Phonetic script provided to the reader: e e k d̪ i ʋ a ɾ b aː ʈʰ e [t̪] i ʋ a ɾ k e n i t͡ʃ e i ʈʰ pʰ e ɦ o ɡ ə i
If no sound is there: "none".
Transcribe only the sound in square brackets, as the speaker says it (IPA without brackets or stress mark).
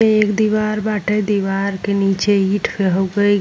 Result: d̪